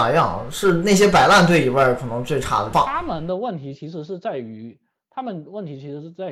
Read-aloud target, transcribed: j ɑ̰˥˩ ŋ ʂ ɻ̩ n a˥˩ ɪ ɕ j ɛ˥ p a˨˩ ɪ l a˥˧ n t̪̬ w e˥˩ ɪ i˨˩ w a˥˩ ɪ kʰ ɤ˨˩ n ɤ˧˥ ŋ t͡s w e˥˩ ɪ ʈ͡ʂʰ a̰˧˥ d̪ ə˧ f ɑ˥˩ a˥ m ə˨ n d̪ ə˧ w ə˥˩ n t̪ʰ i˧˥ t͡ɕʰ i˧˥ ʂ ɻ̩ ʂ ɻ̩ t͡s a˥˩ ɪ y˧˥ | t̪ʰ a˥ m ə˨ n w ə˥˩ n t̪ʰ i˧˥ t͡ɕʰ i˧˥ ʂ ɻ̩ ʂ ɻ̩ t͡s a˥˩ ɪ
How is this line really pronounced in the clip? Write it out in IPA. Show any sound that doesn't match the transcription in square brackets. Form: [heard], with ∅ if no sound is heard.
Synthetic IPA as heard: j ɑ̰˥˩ ŋ ʂ ɻ̩ n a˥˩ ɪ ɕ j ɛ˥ p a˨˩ ɪ l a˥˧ n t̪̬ w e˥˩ ɪ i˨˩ w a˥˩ ɪ kʰ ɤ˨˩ n ɤ˧˥ ŋ t͡s w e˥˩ ɪ ʈ͡ʂʰ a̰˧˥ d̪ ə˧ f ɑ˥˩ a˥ m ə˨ n d̪ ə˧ w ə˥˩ n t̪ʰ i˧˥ t͡ɕʰ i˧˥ ʂ ɻ̩ ʂ ɻ̩ t͡s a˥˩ ɪ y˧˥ | t̪ʰ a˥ m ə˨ n w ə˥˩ n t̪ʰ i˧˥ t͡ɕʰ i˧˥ ʂ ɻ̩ ʂ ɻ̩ t͡s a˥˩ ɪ